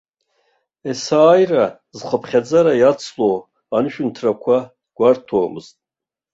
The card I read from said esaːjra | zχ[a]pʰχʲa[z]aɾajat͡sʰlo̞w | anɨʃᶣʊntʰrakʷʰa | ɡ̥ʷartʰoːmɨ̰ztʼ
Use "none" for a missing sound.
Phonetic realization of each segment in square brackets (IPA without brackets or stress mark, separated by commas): ə, d͡z